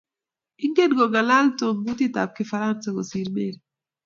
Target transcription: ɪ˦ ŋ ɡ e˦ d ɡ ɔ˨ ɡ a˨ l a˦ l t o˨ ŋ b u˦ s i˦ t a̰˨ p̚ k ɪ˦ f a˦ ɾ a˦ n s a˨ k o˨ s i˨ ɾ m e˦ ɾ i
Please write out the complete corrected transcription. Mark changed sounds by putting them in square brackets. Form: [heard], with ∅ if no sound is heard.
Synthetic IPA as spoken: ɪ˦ ŋ ɡ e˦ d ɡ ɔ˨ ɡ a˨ l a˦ l t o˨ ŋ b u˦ [t] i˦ t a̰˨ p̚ k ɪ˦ f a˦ ɾ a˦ n s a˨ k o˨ s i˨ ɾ m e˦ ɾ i